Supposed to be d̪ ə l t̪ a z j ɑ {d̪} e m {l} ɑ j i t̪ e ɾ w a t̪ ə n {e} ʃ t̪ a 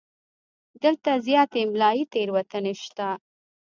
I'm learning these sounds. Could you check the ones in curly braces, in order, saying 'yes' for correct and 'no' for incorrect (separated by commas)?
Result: no, yes, yes